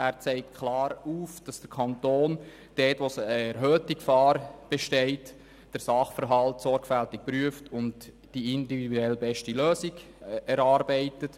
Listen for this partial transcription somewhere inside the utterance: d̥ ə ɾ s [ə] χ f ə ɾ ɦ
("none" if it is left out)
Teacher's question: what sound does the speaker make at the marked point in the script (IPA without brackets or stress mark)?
ɑ